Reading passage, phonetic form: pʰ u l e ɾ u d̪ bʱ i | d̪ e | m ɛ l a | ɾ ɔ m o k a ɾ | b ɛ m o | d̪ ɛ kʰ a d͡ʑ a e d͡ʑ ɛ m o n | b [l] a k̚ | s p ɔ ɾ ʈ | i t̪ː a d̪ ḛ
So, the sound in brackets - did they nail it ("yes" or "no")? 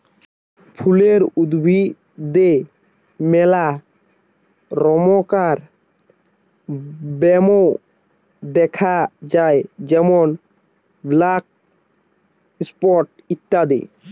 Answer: yes